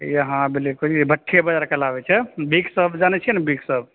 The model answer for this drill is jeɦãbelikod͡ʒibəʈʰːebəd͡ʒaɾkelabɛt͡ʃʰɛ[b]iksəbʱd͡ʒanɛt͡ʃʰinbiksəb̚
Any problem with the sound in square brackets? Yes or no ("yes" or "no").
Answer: no